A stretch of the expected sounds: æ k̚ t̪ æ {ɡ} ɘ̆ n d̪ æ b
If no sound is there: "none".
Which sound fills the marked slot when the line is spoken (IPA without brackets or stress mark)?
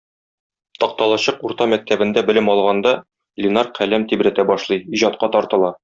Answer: b